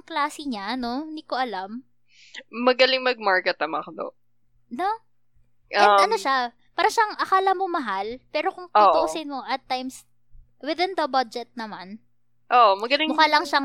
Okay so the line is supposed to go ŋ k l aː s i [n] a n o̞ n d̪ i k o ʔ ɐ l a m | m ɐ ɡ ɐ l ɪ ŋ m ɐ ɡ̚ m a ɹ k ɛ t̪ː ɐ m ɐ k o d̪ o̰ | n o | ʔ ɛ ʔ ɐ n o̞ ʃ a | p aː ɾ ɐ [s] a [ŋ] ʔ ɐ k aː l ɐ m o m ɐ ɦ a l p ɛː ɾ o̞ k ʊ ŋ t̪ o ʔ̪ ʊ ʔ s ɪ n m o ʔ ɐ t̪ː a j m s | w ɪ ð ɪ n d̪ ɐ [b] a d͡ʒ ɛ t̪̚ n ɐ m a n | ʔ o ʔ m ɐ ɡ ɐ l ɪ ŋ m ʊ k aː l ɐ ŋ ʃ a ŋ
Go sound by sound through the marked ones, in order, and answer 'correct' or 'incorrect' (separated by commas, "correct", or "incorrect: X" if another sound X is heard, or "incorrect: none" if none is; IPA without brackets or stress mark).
incorrect: ɲ, incorrect: ʃ, correct, correct